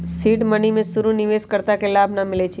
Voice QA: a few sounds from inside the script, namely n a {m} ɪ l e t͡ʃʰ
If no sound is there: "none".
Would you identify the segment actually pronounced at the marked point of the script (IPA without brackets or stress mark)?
m